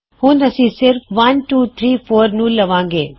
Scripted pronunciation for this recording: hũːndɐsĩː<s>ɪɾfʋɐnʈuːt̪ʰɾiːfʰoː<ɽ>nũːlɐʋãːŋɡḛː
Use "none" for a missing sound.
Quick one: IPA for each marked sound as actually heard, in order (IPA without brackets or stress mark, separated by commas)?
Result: s, ɾ